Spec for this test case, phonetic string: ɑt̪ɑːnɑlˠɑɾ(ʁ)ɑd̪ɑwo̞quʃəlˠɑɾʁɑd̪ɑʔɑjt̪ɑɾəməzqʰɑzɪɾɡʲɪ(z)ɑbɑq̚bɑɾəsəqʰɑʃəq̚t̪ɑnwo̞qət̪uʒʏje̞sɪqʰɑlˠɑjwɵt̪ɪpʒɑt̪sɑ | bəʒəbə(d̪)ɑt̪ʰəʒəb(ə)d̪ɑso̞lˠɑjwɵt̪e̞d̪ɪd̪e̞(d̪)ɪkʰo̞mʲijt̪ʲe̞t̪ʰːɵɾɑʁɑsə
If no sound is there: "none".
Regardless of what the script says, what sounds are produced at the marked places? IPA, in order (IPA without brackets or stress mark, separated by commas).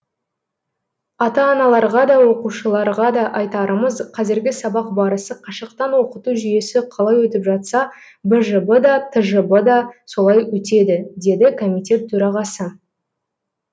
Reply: ʁ, s, d̪, ə, d̪